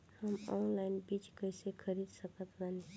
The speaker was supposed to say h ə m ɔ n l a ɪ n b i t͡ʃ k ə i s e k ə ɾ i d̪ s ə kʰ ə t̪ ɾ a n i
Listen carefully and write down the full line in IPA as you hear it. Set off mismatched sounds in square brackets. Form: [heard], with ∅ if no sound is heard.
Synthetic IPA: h ə m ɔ n l a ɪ n b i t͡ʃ k ə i s e [kʰ] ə ɾ i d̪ s ə [k] ə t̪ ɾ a n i